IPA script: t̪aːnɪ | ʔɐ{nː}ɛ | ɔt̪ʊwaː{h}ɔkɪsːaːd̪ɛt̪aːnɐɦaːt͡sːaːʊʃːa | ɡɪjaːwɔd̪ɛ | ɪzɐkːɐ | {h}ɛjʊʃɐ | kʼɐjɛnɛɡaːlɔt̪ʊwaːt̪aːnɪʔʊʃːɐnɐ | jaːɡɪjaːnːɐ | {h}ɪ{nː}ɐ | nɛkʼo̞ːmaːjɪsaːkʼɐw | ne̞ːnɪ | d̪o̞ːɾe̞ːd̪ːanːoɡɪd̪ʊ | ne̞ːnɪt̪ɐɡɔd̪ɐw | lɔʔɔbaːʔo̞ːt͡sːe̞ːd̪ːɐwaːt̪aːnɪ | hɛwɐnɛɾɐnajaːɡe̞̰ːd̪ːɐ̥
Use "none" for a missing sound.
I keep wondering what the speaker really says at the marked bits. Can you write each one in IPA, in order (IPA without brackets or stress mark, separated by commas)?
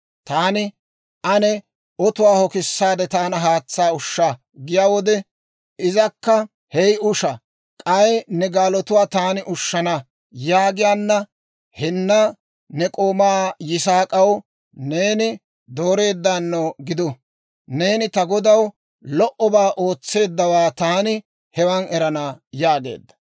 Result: n, h, h, h, nː